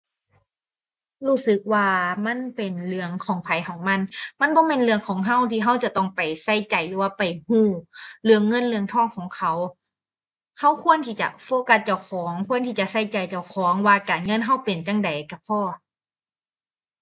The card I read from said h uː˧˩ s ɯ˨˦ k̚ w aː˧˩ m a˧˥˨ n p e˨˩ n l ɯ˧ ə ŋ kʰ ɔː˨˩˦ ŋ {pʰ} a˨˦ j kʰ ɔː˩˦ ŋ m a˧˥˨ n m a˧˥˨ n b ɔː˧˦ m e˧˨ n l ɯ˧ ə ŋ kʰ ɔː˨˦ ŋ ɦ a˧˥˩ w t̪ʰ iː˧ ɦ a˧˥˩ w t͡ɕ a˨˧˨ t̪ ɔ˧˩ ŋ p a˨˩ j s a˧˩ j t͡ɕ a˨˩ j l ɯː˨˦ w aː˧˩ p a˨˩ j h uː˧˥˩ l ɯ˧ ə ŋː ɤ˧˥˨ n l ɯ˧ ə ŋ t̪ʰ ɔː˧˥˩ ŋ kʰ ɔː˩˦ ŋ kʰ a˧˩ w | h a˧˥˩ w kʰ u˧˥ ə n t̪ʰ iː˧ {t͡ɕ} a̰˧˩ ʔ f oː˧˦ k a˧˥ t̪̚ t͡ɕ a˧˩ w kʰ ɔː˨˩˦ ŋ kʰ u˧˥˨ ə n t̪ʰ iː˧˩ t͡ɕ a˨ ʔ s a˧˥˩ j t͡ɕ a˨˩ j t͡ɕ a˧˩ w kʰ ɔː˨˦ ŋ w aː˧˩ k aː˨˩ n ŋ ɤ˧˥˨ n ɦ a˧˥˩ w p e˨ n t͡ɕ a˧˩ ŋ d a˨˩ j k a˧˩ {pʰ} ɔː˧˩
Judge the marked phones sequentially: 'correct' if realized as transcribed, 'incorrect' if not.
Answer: correct, correct, correct

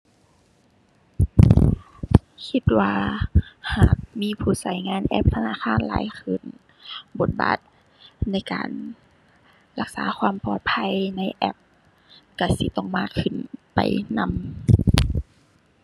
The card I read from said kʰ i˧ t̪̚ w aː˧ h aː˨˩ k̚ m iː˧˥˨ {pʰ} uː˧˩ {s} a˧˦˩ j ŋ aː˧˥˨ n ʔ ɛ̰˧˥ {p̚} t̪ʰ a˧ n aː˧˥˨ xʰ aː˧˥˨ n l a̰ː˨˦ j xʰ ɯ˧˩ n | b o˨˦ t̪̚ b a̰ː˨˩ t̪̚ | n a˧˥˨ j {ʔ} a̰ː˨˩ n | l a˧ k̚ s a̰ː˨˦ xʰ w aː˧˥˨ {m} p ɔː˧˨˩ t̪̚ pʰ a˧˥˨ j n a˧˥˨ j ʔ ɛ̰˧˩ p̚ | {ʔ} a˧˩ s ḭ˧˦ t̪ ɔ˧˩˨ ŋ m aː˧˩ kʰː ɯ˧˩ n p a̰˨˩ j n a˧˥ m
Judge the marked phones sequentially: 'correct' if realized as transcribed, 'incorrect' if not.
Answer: correct, correct, correct, incorrect: k, correct, incorrect: k

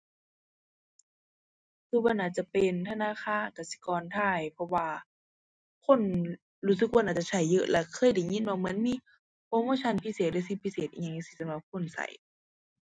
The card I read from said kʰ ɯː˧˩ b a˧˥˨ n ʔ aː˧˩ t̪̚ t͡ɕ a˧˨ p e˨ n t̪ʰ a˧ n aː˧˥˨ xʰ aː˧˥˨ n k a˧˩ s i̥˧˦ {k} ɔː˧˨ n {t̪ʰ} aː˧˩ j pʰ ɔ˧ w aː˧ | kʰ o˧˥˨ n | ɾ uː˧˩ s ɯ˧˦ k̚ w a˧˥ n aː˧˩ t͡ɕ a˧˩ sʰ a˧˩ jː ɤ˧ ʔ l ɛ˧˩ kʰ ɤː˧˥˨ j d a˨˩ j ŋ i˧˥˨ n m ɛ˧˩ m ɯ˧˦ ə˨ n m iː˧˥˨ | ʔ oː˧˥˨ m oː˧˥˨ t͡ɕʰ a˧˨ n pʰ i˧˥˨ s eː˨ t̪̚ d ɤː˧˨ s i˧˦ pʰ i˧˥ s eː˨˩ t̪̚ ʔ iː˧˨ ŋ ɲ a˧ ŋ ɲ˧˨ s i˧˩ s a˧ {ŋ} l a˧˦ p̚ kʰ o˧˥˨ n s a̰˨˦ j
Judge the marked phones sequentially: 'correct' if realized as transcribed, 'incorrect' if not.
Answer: correct, correct, incorrect: m

